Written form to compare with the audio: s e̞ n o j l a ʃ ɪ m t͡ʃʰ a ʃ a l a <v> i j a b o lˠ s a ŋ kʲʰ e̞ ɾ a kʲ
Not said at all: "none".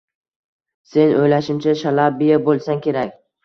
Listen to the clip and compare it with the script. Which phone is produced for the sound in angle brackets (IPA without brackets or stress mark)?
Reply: b